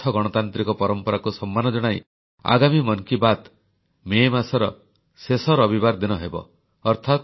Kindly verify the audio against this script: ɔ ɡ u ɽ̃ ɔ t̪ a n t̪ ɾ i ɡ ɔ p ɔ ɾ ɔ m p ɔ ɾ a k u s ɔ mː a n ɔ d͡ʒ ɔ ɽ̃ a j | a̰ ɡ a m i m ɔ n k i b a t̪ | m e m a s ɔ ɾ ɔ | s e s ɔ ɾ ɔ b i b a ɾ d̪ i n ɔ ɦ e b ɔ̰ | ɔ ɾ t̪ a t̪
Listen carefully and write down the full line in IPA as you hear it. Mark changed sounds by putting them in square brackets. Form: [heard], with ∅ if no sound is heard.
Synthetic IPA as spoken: ɔ ɡ [ɔ] ɽ̃ ɔ t̪ a n t̪ ɾ i [k] ɔ p ɔ ɾ ɔ m p ɔ ɾ a k u s ɔ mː a n ɔ d͡ʒ ɔ ɽ̃ a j | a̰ ɡ a m i m ɔ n k i b a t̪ | m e m a s ɔ ɾ ɔ | s e s ɔ ɾ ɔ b i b a ɾ d̪ i n ɔ ɦ e b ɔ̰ | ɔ ɾ [t̪ʰ] a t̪